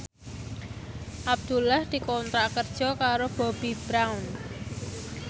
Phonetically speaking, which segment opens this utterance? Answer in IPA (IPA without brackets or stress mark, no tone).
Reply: ʔ